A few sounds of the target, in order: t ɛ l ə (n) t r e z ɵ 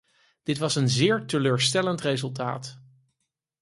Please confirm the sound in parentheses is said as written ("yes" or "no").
yes